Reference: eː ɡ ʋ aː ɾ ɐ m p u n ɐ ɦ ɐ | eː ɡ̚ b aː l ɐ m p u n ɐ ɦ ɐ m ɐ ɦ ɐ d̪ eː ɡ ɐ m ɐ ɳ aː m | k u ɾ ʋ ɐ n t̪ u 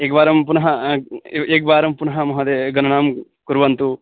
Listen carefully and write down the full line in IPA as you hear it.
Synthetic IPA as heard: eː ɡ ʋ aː ɾ ɐ m p u n ɐ ɦ ɐ | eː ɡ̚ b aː ɾ ɐ m p u n ɐ ɦ ɐ m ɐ ɦ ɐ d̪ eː ɡ ɐ n ɐ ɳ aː m | k u ɾ ʋ ɐ n t̪ u